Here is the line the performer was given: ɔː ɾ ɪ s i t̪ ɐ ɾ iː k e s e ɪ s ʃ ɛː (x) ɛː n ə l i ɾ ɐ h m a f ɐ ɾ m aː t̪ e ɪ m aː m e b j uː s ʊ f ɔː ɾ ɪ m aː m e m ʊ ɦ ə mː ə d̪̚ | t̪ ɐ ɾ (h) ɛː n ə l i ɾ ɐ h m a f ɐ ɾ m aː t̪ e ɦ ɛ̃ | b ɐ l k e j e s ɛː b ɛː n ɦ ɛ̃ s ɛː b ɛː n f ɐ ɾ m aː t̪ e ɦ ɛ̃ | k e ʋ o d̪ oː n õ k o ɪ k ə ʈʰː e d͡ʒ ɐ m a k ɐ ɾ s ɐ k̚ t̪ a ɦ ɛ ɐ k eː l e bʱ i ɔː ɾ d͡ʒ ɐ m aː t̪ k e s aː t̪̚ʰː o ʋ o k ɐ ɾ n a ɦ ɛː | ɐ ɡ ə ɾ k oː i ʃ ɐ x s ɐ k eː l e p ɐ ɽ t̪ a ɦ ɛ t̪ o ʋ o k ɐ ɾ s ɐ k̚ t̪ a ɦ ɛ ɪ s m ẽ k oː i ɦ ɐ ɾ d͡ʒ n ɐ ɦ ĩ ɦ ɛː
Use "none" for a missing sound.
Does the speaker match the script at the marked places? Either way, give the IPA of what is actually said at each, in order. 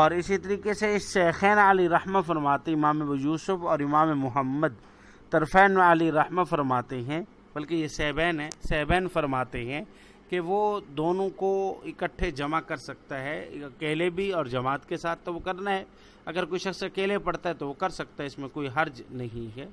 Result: x, f

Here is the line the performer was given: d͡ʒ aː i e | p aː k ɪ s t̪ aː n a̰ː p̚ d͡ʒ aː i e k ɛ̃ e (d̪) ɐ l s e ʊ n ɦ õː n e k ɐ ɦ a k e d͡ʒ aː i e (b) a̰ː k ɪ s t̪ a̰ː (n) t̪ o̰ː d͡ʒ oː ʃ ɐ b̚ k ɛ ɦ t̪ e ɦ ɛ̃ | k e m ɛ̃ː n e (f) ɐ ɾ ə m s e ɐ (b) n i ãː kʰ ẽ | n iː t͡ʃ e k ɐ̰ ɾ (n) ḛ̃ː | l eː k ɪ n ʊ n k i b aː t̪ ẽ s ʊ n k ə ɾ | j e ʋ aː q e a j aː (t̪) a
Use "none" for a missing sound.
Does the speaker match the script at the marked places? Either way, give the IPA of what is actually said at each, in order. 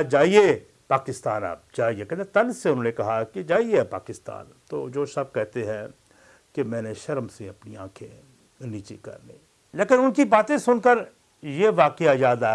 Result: t̪, p, n, ʃ, p, n, d̪

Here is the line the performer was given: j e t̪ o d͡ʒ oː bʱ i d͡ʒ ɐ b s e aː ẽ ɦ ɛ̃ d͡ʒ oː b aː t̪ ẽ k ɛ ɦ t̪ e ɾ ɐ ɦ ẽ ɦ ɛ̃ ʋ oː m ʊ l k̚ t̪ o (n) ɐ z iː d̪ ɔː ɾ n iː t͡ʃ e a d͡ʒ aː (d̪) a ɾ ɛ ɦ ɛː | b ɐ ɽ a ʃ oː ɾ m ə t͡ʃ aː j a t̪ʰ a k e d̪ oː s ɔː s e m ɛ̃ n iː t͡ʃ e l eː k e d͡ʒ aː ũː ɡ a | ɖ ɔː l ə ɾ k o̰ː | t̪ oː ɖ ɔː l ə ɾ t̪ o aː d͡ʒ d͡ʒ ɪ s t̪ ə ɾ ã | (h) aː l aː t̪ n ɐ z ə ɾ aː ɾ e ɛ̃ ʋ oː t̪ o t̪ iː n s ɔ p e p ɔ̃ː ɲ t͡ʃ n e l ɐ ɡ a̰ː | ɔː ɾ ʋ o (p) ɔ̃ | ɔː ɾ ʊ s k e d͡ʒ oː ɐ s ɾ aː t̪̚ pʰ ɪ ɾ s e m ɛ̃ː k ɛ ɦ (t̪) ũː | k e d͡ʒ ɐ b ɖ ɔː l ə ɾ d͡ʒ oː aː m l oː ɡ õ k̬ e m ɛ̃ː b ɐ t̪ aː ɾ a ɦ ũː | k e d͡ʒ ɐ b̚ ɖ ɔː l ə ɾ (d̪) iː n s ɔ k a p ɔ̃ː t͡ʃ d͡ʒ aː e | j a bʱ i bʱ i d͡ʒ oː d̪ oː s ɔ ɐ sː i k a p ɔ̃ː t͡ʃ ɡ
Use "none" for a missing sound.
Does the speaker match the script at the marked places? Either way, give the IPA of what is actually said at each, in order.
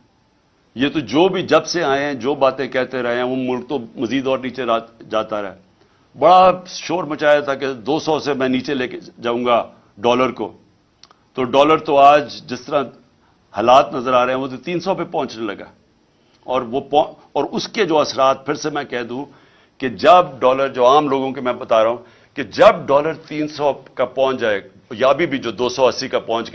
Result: m, t̪, h, p, d̪, t̪

